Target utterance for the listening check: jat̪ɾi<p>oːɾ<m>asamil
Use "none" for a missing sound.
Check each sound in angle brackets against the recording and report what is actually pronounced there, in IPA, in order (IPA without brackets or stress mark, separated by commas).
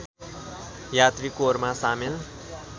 k, m